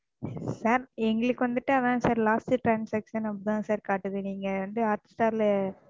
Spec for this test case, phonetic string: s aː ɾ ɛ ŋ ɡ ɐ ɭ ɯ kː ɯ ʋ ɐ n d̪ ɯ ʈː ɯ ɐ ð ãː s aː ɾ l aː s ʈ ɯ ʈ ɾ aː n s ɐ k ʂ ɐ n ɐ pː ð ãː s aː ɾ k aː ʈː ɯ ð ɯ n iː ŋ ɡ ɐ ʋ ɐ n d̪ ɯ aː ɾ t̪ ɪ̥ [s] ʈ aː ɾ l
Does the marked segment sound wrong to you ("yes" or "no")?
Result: no